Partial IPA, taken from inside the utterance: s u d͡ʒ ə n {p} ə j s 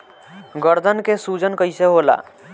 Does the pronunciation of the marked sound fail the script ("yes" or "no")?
yes